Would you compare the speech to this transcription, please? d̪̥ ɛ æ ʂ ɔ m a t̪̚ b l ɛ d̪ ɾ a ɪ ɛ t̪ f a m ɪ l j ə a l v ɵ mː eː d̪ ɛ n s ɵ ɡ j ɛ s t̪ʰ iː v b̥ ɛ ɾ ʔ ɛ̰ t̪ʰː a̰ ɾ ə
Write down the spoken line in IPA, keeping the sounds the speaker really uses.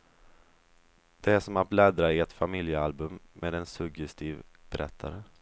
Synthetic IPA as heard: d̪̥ ɛ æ ʂ ɔ m a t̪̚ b l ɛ d̪ ɾ a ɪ ɛ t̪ f a m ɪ l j ə a l b ɵ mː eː d̪ ɛ n s ɵ ɡ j ɛ s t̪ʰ iː v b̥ ɛ ɾ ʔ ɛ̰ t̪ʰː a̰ ɾ ə